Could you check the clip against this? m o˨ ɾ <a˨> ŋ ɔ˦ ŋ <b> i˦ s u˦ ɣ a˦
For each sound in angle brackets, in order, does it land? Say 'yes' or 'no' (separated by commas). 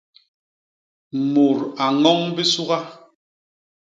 yes, yes